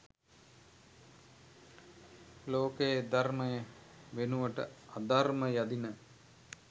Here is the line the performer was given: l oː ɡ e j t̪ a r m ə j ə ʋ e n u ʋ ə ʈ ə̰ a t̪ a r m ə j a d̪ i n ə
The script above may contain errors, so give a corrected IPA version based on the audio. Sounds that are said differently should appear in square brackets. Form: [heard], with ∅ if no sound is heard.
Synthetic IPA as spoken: l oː [k] e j [d̪] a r m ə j ə ʋ e n u ʋ ə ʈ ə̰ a [d̪] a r m ə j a d̪ i n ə

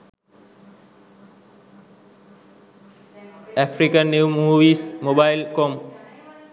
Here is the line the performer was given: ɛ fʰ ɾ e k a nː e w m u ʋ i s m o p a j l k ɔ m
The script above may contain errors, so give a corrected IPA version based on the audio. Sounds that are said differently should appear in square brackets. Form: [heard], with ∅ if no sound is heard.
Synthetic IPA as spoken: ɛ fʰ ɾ [i] k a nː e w m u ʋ i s m o [b] a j l k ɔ m

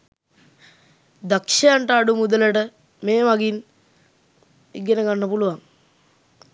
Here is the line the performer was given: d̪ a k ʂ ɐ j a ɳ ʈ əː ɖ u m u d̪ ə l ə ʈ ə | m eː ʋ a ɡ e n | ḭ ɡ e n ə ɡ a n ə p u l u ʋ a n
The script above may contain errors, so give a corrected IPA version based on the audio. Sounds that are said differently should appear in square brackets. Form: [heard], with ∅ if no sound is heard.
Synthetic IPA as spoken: d̪ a k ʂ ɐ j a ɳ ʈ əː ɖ u m u d̪ ə l ə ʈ ə | m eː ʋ a ɡ [i] n | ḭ ɡ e n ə ɡ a [nː] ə p u l u ʋ a [ŋ]

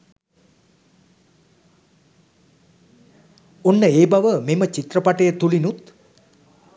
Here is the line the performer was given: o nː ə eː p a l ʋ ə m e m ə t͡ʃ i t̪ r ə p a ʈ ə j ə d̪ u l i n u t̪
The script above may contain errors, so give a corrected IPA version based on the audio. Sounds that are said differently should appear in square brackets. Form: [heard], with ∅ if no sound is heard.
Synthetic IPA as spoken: o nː ə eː [b] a [∅] ʋ ə m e m ə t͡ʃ i t̪ r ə p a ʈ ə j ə [t̪] u l i n u t̪

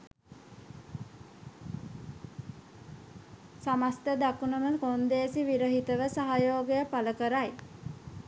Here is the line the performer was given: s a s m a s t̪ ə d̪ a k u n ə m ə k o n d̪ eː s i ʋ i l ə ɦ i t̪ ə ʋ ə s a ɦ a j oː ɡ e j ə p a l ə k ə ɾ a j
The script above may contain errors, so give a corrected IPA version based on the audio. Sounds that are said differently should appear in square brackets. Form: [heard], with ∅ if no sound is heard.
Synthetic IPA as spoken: s a [∅] m a s t̪ ə d̪ a k u n ə m ə k o n d̪ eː s i ʋ i [ɾ] ə ɦ i t̪ ə ʋ ə s a ɦ a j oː ɡ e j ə p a l ə k ə ɾ a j

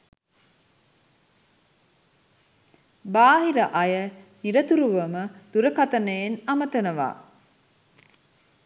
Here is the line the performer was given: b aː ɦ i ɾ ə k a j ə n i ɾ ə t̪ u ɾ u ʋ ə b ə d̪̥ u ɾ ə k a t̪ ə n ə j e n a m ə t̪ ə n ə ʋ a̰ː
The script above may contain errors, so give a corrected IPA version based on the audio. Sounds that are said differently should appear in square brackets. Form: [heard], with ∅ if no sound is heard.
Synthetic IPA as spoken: b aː ɦ i ɾ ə [ʔ] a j ə n i ɾ ə t̪ u ɾ u ʋ ə [m] ə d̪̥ u ɾ ə k a t̪ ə n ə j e n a m ə t̪ ə n ə ʋ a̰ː

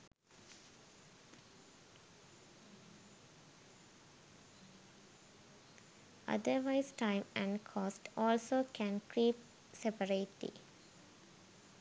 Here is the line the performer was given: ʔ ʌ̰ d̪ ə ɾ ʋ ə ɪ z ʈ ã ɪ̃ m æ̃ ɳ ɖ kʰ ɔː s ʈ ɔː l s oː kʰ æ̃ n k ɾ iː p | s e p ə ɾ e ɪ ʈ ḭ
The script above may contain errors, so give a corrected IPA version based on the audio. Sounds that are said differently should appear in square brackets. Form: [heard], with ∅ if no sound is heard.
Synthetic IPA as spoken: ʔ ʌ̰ d̪ ə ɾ ʋ [a] ɪ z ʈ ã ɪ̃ m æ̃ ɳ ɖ kʰ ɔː s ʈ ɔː l s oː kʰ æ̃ n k ɾ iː p | s e p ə ɾ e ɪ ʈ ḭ

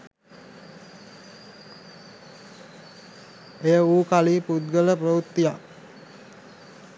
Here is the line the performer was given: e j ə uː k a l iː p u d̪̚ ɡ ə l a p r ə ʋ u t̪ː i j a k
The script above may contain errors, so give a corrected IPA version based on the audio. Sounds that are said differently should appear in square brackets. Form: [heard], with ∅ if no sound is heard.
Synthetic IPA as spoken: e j ə uː k a l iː p u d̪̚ ɡ ə l [ə] p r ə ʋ u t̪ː i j a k

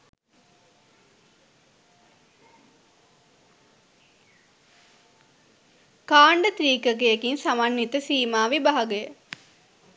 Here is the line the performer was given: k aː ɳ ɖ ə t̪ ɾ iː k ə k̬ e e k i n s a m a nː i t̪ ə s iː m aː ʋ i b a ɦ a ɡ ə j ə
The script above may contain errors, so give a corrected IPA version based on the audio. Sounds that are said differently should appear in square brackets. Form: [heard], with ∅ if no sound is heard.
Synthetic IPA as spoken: k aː ɳ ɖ ə t̪ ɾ iː k ə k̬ e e k i n s a m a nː i t̪ ə s iː m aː ʋ i b a ɦ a ɡ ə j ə

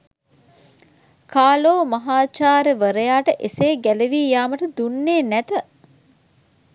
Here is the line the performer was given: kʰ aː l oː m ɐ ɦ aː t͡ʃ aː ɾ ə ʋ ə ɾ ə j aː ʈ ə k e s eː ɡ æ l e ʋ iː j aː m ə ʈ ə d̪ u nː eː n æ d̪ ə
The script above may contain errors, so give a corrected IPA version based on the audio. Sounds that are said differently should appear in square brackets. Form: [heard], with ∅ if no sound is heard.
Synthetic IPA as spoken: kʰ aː l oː m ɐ ɦ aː t͡ʃ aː ɾ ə ʋ ə ɾ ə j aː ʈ ə [ʔ] e s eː ɡ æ l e ʋ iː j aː m ə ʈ ə d̪ u nː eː n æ [t̪] ə

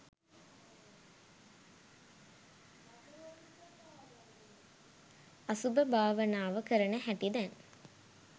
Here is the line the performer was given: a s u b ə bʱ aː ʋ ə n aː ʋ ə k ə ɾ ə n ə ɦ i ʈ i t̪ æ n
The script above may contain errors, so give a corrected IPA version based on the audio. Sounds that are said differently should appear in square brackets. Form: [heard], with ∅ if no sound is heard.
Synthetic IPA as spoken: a s u b ə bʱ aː ʋ ə n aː ʋ ə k ə ɾ ə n ə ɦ [æ] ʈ i [d̪] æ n

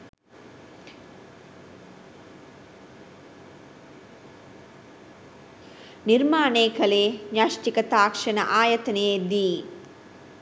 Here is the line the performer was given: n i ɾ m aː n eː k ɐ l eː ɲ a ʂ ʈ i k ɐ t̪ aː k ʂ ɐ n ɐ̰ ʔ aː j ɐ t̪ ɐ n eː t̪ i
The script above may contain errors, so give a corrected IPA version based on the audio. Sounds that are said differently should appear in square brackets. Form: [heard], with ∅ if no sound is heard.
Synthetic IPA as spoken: n i ɾ m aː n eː k ɐ l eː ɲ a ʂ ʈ i k ɐ t̪ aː k ʂ ɐ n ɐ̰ ʔ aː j ɐ t̪ ɐ n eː [d̪] i

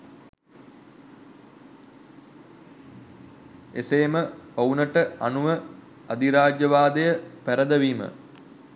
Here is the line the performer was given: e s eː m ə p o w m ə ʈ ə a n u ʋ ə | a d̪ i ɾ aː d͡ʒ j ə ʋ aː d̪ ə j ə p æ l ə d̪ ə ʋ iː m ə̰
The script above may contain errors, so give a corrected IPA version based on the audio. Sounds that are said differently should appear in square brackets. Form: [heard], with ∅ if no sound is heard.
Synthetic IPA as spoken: e s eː m ə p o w [n] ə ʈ ə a n u ʋ ə | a d̪ i ɾ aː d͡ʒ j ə ʋ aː d̪ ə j ə p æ [ɾ] ə d̪ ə ʋ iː m ə̰

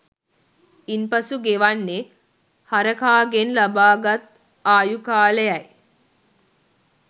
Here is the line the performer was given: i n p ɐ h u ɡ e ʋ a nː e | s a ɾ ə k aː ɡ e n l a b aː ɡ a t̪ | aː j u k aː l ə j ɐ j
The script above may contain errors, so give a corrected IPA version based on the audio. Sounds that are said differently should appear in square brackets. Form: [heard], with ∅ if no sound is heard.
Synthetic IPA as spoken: i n p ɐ [s] u ɡ e ʋ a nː e | [h] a ɾ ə k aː ɡ e n l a b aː ɡ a t̪ | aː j u k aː l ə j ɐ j

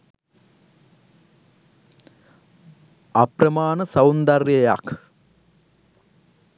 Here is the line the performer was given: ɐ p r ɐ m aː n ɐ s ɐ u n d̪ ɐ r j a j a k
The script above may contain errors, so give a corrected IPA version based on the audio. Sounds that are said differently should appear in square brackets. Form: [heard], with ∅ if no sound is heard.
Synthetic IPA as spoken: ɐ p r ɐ m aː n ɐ s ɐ [w] n d̪ ɐ r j [ɐ] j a k

